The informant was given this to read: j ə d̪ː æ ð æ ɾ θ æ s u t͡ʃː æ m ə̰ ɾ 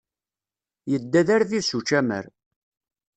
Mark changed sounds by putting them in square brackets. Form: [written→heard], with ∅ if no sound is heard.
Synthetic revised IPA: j ə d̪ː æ ð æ ɾ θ [æ→i] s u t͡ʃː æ m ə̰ ɾ